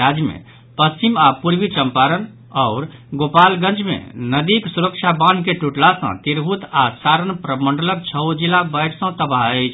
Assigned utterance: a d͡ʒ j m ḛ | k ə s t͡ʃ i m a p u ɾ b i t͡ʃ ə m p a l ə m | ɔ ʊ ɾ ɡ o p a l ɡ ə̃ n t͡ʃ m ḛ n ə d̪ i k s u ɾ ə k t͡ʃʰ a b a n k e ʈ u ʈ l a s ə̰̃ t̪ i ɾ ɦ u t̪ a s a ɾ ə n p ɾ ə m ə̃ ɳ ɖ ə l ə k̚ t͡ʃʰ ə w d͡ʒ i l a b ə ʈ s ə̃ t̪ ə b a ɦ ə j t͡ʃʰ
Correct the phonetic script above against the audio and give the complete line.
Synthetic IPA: a d͡ʒ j m ḛ | p ə s t͡ʃ i m a p u ɾ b i t͡ʃ ə m p a ɾ ə n | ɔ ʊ ɾ ɡ o p a l ɡ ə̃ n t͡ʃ m ḛ n ə d̪ i k s u ɾ ə k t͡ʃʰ a b a n k e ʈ u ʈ l a s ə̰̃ t̪ i ɾ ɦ u t̪ a s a ɾ ə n p ɾ ə m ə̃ ɳ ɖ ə l ə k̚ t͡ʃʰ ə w d͡ʒ i l a b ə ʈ s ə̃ t̪ ə b a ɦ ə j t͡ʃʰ